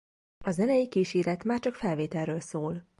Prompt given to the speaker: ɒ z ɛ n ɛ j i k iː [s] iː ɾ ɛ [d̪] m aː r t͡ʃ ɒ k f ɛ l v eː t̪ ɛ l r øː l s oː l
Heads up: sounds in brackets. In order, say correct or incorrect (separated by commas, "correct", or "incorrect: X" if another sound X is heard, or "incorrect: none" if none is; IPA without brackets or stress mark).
incorrect: ʃ, incorrect: t̪